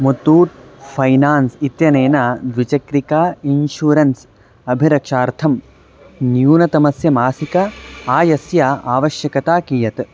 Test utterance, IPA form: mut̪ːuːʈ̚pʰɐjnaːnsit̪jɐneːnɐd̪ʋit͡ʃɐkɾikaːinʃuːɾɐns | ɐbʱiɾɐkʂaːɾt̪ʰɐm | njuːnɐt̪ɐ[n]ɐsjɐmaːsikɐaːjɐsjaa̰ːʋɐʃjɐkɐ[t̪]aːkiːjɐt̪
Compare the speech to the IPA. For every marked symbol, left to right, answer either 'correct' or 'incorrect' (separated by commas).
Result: incorrect, correct